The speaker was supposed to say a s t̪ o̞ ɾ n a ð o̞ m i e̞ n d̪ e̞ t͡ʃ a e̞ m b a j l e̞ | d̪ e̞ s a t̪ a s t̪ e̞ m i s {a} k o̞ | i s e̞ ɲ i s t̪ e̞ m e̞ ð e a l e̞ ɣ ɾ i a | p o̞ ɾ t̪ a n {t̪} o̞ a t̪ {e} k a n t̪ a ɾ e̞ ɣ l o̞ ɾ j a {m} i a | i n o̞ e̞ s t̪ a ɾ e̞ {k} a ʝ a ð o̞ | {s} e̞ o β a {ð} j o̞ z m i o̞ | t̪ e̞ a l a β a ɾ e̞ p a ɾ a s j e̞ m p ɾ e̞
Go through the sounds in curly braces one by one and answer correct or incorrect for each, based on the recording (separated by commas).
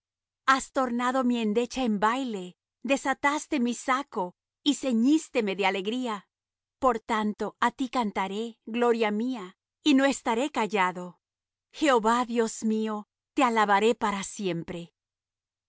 correct, correct, incorrect, correct, correct, incorrect, correct